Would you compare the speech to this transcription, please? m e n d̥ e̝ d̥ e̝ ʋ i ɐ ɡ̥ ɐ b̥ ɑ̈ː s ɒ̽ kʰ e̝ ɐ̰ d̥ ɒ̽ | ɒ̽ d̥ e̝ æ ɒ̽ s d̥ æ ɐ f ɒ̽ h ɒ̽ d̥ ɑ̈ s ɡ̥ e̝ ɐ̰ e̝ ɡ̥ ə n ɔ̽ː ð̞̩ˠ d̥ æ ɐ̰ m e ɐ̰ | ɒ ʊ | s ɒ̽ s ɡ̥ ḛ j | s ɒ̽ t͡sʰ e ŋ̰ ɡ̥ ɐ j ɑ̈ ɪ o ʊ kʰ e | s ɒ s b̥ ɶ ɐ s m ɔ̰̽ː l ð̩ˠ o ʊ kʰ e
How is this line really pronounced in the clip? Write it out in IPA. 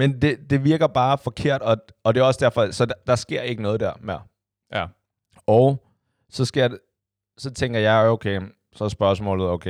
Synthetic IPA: m e n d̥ e̝ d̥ e̝ ʋ i ɐ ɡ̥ ɐ b̥ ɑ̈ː f ɒ̽ kʰ e̝ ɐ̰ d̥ ɒ̽ | ɒ̽ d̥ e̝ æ ɒ̽ s d̥ æ ɐ f ɒ̽ s ɒ̽ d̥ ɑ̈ s ɡ̥ e̝ ɐ̰ e̝ ɡ̥ ə n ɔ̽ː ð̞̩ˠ d̥ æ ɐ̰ m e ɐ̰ | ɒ ʊ | s ɒ̽ s ɡ̥ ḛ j | s ɒ̽ t͡sʰ e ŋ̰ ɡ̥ ɐ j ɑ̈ ɪ o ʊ kʰ e | s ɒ s b̥ ɶ ɐ s m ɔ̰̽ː l ð̩ˠ o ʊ kʰ e